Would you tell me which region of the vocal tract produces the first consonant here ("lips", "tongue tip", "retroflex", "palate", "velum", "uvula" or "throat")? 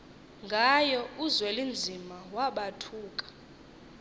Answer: velum